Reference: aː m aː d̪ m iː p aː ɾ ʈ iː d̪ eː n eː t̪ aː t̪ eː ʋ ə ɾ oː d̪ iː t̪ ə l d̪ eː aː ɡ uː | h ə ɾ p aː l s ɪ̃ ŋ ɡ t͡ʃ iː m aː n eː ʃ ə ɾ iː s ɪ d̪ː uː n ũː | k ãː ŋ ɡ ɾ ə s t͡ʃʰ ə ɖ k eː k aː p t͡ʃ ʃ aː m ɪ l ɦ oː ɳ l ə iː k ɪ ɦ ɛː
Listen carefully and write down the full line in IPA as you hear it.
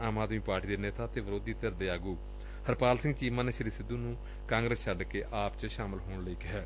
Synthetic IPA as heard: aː m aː d̪ m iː p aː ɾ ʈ iː d̪ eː n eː t̪ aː t̪ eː ʋ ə ɾ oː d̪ iː t̪ ə ɾ d̪ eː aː ɡ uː | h ə ɾ p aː l s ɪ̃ ŋ ɡ t͡ʃ iː m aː n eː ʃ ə ɾ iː s ɪ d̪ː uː n ũː | k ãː ŋ ɡ ɾ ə s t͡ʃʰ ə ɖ k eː ʔ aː p t͡ʃ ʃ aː m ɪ l ɦ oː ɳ l ə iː k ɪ ɦ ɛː